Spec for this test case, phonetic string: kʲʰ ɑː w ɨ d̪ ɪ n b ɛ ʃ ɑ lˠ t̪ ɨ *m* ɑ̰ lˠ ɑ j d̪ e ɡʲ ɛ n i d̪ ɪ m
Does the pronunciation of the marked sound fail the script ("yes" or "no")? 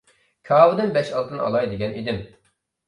yes